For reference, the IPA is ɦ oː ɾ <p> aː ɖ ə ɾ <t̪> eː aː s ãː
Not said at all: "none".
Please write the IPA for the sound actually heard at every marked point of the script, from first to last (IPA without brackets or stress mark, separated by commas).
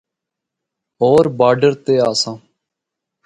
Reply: b, t̪